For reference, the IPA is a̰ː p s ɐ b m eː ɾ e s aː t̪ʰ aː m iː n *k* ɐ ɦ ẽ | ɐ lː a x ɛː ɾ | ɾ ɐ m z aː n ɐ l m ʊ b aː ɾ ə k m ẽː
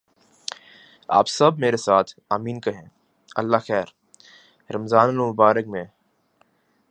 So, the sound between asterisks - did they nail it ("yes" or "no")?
yes